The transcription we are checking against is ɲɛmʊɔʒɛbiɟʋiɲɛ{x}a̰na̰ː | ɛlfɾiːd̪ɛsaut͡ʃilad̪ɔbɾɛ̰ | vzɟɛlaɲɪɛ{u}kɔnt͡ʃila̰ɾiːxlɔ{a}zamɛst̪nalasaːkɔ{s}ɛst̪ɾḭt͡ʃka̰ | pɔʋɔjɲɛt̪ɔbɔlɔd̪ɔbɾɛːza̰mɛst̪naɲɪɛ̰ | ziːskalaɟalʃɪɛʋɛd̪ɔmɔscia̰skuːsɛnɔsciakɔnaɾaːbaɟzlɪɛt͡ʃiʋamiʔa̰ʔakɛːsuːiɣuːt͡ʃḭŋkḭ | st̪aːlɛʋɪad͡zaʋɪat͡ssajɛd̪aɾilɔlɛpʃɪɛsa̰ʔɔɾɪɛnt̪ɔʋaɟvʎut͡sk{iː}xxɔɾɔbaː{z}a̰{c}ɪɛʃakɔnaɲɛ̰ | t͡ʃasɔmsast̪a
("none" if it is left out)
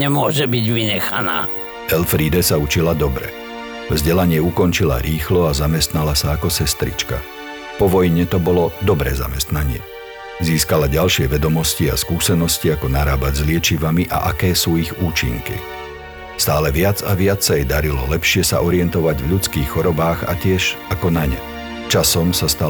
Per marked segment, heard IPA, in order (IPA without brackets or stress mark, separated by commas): x, u, a, s, iː, ɣ, c